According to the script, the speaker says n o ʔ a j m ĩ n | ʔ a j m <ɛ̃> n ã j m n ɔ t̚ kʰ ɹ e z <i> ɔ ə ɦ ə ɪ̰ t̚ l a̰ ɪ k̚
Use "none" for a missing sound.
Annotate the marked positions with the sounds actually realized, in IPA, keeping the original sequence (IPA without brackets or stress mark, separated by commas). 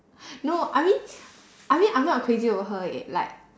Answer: ĩ, i